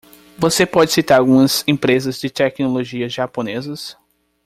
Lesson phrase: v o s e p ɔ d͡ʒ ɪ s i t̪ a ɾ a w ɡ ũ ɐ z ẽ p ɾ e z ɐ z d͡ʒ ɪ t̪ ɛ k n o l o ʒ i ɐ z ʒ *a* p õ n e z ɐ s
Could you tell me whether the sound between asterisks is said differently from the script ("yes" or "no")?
no